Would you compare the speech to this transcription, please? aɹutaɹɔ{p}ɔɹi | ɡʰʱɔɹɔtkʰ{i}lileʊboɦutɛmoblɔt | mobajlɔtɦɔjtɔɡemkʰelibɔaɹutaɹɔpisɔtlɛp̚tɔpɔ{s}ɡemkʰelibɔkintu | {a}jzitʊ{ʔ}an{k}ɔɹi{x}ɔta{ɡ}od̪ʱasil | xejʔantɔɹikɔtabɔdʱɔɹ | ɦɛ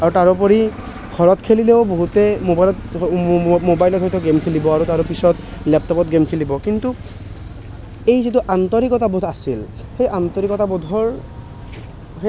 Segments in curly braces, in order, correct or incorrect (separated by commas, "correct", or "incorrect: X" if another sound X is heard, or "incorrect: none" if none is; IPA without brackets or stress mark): correct, incorrect: e, incorrect: t, incorrect: e, correct, incorrect: t, incorrect: k, incorrect: b